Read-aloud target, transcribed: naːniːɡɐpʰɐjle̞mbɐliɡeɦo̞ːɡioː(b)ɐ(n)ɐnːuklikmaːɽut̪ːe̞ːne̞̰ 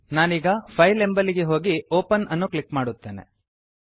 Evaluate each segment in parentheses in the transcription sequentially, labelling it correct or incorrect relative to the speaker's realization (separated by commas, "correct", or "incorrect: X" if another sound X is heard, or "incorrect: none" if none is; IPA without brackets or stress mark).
incorrect: p, correct